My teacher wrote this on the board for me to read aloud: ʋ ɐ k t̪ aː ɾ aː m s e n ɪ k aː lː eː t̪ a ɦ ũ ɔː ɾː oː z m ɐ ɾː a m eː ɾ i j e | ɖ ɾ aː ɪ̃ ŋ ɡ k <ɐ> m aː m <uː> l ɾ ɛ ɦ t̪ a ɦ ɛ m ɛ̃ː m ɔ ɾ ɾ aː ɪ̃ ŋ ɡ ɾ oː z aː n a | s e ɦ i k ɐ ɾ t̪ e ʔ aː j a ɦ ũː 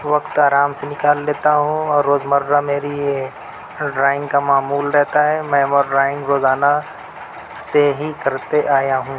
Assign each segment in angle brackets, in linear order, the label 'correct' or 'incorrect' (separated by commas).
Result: incorrect, correct